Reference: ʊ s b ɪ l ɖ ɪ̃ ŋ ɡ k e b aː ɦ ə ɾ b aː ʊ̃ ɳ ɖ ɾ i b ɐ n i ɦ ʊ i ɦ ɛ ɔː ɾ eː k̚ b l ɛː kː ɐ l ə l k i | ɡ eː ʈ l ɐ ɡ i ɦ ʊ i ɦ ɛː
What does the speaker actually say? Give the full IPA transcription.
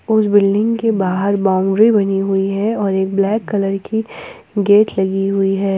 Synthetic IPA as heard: ʊ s b ɪ l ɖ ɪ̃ ŋ ɡ k e b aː ɦ ə ɾ b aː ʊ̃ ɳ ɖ ɾ i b ɐ n i ɦ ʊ i ɦ ɛ ɔː ɾ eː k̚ b l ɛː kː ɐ l ə ɾ k i | ɡ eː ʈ l ɐ ɡ i ɦ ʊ i ɦ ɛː